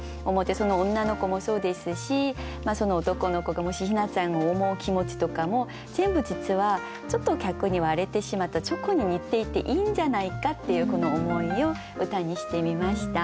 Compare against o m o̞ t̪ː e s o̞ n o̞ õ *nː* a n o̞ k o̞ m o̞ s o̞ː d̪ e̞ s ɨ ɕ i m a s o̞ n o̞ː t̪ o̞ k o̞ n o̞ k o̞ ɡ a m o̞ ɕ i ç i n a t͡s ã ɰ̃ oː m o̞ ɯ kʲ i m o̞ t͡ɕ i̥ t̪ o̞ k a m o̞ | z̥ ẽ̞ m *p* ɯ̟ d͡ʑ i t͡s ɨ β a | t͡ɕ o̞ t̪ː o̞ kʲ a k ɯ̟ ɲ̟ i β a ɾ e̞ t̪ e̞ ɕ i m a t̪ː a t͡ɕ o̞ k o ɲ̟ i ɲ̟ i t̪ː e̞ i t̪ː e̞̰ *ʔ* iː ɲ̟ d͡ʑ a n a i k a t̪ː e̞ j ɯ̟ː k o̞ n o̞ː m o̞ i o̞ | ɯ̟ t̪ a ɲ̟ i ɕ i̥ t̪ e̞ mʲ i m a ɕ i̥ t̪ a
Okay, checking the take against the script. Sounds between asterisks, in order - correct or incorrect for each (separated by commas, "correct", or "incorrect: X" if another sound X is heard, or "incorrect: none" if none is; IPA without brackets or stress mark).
correct, incorrect: b, correct